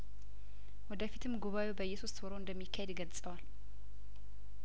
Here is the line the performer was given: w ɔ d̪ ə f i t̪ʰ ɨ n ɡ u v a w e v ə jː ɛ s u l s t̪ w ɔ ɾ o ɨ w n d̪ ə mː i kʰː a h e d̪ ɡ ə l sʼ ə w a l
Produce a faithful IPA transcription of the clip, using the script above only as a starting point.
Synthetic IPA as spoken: w ɔ d̪ ə f i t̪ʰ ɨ m ɡ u β a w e b ə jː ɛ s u s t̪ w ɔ ɾ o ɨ n d̪ ə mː i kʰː a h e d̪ ɡ ə l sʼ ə w a l